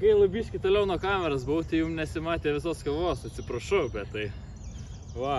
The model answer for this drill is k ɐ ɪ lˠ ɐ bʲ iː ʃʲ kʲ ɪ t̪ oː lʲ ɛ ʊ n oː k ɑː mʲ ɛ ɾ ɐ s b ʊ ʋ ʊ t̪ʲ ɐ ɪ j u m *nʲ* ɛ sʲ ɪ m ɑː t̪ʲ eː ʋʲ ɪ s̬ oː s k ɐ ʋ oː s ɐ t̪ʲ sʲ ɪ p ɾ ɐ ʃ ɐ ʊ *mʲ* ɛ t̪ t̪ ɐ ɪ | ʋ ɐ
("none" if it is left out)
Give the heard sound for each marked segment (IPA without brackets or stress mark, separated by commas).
nʲ, bʲ